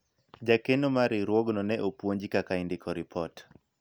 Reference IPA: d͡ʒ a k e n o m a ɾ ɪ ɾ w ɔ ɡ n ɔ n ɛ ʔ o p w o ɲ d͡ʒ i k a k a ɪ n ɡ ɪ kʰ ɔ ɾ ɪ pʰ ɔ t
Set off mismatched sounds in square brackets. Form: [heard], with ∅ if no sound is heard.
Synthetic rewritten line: d͡ʒ a k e n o m a ɾ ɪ ɾ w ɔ ɡ n ɔ n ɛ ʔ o p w o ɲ d͡ʒ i k a k a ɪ n [d] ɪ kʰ ɔ ɾ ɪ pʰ ɔ t

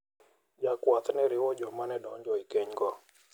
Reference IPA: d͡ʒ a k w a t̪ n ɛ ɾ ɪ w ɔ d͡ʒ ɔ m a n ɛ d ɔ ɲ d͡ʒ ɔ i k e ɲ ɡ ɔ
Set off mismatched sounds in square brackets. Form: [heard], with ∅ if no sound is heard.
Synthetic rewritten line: d͡ʒ a k w a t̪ n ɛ ɾ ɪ w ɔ d͡ʒ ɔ m a n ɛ d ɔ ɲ d͡ʒ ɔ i k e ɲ ɡ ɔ

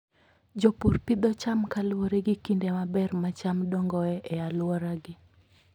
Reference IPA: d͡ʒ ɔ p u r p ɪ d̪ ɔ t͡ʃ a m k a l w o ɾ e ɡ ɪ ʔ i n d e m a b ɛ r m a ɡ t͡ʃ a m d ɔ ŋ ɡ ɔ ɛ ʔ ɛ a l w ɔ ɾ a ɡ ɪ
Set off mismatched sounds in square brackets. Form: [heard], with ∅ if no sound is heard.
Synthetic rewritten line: d͡ʒ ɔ p u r p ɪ d̪ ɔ t͡ʃ a m k a l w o ɾ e ɡ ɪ [k] i n d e m a b ɛ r m a [∅] t͡ʃ a m d ɔ ŋ ɡ ɔ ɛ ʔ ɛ a l w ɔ ɾ a ɡ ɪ

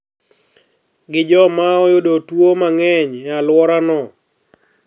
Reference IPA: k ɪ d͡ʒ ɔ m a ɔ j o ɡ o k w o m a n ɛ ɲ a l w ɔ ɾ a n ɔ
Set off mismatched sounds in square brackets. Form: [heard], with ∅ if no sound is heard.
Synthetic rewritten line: [ɡ] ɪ d͡ʒ ɔ m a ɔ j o [d] o [t] w o m a [ŋ] ɛ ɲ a l w ɔ ɾ a n ɔ

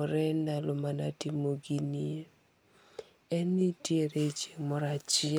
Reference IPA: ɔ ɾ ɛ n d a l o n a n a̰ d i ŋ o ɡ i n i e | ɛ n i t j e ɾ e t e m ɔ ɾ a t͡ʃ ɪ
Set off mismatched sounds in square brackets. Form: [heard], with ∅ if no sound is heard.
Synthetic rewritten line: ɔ ɾ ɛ n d a l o [m] a n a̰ [t] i [m] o ɡ i n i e | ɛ n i t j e ɾ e [t͡ʃ] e m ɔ ɾ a t͡ʃ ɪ

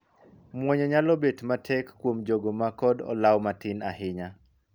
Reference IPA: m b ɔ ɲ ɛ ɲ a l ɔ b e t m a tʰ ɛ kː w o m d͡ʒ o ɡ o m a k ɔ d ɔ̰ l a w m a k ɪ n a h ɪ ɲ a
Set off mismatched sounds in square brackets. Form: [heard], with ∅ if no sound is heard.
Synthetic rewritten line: m [w] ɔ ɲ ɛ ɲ a l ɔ b e t m a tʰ ɛ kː w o m d͡ʒ o ɡ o m a k ɔ d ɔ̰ l a w m a [t] ɪ n a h ɪ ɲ a

